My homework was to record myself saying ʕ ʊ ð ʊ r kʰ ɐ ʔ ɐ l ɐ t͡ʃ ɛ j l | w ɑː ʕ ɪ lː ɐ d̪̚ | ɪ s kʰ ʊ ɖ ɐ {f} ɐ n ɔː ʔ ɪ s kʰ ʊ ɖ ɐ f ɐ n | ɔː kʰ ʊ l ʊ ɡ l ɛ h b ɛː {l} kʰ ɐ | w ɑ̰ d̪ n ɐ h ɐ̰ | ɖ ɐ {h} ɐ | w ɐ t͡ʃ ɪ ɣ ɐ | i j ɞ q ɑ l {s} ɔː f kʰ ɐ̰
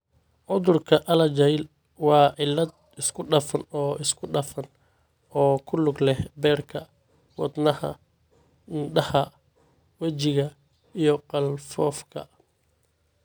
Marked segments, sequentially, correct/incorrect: correct, incorrect, correct, incorrect

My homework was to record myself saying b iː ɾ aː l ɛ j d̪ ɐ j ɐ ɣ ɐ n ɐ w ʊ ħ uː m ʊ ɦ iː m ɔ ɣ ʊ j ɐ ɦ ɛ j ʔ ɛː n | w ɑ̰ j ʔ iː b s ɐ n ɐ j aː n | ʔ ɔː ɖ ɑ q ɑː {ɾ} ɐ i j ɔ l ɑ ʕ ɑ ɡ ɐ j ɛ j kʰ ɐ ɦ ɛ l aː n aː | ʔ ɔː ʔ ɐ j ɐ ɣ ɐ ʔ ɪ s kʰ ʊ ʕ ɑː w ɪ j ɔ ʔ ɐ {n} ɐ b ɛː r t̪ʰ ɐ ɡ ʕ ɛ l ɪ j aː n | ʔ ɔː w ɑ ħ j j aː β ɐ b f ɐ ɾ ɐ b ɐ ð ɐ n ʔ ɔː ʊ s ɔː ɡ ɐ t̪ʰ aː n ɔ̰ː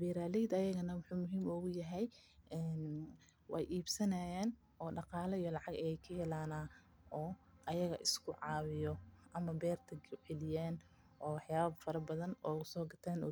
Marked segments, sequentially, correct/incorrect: incorrect, incorrect

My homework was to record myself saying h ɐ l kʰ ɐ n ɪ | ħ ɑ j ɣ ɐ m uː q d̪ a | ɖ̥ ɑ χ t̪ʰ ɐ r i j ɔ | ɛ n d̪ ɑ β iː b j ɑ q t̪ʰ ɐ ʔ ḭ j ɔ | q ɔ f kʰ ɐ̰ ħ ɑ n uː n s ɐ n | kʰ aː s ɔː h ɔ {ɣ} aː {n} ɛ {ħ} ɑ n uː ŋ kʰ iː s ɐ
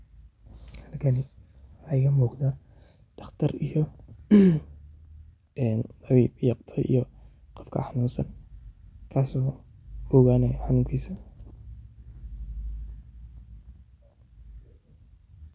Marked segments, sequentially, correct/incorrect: correct, correct, correct

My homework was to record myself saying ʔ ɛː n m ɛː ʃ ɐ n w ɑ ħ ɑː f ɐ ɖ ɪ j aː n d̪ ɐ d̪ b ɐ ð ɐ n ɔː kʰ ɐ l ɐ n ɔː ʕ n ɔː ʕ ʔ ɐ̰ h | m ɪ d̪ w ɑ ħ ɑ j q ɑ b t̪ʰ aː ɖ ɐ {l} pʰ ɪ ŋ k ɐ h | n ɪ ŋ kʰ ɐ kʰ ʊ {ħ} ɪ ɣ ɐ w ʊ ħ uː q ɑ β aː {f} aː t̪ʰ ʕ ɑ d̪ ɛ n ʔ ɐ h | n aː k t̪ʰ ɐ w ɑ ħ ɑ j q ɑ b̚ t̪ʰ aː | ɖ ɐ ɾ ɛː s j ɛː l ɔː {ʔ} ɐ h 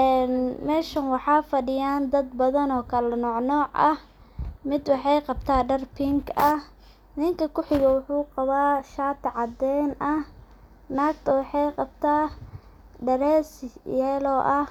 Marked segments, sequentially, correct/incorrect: incorrect, correct, incorrect, correct

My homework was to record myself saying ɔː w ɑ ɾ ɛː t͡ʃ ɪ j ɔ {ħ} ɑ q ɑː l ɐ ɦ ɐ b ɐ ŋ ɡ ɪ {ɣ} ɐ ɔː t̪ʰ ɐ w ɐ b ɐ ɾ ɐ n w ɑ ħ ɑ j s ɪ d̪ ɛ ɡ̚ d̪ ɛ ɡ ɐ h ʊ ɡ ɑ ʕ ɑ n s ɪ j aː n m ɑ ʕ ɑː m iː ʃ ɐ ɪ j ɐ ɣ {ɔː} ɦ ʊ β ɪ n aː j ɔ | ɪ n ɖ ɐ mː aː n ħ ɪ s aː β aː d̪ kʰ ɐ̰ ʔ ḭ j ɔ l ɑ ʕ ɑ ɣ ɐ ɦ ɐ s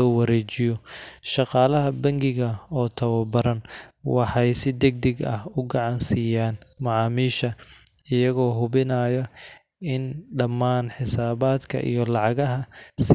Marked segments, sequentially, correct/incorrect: incorrect, correct, correct

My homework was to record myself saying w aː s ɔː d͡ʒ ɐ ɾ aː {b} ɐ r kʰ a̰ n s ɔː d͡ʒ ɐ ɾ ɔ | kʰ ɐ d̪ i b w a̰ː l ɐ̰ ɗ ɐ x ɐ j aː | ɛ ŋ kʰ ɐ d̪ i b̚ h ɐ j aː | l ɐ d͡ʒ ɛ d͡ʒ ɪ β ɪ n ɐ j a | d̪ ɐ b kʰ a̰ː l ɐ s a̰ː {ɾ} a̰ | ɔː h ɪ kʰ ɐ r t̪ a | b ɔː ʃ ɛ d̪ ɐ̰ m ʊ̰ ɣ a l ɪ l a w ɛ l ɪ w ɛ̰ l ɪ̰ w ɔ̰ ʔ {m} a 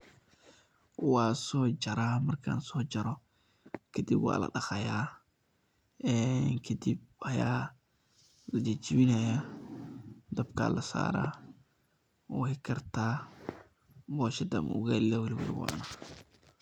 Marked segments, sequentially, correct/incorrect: incorrect, correct, incorrect

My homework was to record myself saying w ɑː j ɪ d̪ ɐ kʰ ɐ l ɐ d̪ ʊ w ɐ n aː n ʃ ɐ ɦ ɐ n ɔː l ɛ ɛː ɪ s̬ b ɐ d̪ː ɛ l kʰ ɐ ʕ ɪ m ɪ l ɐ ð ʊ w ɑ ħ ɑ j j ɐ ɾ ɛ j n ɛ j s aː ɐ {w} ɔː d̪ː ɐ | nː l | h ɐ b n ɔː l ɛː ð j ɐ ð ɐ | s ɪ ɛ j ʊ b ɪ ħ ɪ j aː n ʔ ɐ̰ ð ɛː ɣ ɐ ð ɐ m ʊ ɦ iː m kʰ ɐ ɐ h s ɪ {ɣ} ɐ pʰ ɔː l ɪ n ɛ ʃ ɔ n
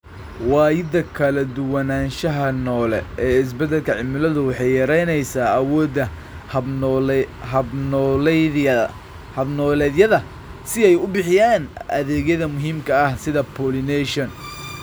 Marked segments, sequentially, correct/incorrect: correct, incorrect

